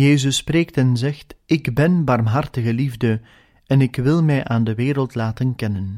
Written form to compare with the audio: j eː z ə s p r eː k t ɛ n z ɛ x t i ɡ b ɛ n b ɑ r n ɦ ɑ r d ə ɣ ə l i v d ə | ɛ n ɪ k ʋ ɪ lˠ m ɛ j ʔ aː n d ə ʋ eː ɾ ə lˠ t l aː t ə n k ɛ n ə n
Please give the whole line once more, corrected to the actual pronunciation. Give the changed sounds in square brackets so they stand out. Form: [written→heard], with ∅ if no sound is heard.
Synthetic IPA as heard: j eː z ə s p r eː k t ɛ n z ɛ x t [i→ɪ] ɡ b ɛ n b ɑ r [n→m] ɦ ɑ r [d→t] ə ɣ ə l i v d ə | ɛ n ɪ k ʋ ɪ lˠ m ɛ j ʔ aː n d ə ʋ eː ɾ ə lˠ t l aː t ə n k ɛ n ə n